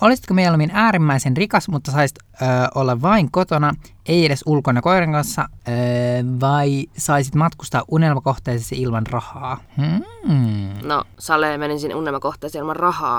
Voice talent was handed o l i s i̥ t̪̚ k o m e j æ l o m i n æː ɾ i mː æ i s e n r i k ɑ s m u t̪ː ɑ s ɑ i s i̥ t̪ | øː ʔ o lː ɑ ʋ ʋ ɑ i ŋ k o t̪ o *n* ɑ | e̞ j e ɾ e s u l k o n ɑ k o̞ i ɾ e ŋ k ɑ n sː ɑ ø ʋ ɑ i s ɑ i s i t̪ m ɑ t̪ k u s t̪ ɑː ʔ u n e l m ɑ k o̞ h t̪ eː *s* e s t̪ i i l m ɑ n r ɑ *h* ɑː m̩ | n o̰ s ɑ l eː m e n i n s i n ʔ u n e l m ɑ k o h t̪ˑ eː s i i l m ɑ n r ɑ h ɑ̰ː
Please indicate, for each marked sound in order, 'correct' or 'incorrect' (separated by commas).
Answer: correct, correct, correct